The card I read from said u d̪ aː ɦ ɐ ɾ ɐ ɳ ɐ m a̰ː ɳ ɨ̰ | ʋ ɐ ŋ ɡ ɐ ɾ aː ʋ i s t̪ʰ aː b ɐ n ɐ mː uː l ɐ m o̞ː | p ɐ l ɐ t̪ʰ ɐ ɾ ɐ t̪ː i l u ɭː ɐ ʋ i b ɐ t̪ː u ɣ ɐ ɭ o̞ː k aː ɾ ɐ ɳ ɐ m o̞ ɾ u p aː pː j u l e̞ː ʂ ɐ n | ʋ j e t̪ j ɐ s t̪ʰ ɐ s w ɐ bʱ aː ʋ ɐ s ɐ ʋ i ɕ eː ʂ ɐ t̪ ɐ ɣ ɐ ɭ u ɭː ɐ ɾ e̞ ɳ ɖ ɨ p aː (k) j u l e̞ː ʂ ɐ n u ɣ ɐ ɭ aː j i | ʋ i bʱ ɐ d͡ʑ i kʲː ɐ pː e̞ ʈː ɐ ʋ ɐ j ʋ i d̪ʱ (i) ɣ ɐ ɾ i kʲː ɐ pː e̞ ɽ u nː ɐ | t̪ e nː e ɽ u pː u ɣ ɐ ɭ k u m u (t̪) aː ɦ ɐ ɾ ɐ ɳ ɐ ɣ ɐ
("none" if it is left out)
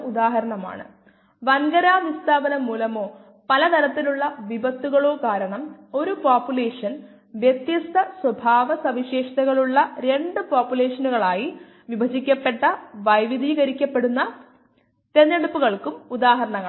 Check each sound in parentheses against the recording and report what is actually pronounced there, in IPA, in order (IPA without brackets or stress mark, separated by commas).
p, iː, d̪